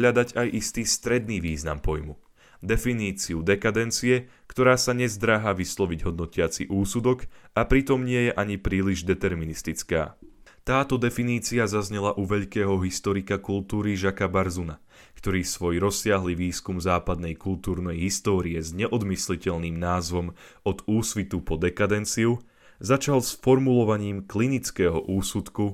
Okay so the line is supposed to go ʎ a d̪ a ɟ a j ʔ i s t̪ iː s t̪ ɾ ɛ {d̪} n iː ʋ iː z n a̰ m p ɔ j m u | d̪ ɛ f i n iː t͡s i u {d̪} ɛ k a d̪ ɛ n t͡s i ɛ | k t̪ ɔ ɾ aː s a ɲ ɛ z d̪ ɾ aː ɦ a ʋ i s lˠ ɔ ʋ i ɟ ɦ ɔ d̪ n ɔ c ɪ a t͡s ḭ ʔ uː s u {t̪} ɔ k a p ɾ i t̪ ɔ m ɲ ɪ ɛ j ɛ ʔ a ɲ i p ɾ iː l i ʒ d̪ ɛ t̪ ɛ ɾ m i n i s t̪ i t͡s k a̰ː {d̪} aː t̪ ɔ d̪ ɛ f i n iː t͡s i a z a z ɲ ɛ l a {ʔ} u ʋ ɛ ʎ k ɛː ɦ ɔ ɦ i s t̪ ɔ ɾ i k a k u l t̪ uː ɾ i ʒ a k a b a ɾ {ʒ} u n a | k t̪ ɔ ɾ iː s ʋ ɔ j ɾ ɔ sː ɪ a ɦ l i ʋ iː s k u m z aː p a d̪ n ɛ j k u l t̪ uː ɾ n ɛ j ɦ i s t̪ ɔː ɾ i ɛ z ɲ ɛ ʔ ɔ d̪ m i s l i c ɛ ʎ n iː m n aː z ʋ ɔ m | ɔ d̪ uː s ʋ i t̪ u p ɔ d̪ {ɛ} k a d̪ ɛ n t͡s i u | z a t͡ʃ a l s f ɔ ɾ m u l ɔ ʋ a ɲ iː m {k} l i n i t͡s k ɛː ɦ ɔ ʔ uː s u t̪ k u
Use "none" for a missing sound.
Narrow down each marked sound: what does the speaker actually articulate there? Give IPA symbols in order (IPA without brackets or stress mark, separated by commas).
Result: d̪, d̪, d̪, t̪, ʔ, z, ɛ, k